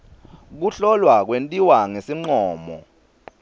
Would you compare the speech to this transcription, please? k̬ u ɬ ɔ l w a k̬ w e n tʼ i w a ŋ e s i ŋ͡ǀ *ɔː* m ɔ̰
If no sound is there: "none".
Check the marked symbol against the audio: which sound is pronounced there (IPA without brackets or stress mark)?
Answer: ɔː